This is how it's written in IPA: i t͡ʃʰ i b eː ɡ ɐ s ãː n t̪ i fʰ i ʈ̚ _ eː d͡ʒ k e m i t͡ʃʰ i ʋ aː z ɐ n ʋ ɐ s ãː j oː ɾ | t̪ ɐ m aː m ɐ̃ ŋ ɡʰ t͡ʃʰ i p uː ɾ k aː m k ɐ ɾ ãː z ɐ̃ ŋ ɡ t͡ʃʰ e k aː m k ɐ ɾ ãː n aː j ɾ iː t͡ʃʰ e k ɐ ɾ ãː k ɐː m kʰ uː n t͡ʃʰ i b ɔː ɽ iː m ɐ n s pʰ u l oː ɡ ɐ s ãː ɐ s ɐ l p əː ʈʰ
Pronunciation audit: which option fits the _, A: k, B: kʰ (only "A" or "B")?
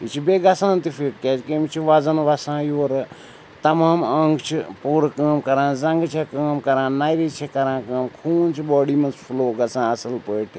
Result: A